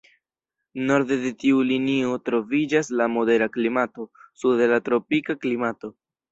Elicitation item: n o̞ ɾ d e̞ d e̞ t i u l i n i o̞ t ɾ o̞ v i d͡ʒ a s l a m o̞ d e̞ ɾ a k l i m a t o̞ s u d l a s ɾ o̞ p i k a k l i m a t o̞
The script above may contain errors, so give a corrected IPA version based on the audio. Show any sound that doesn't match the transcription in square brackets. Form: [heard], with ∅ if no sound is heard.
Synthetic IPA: n o̞ ɾ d e̞ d e̞ t i u l i n i o̞ t ɾ o̞ v i d͡ʒ a s l a m o̞ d e̞ ɾ a k l i m a t o̞ s u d l a [t] ɾ o̞ p i k a k l i m a t o̞